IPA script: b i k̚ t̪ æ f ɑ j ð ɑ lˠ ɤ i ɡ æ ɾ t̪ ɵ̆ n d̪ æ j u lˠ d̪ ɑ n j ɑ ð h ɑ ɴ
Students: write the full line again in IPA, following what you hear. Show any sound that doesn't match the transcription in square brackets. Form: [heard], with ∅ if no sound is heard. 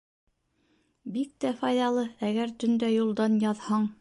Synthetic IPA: b i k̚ t̪ æ f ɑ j ð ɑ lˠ ɤ [æ] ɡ æ ɾ t̪ ɵ̆ n d̪ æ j u lˠ d̪ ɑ n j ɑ ð h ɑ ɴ